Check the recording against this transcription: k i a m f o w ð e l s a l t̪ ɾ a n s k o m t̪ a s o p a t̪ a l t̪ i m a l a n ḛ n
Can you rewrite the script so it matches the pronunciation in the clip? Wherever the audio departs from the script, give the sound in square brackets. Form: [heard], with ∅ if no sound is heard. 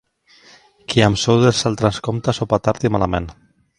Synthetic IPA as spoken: k i a m [s] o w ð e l s a l t̪ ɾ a n s k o m t̪ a s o p a t̪ a [ɾ] t̪ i m a l a [m] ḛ n